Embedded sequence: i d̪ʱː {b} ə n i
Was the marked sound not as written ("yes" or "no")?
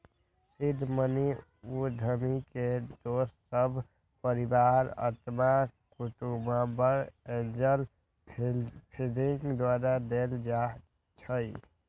yes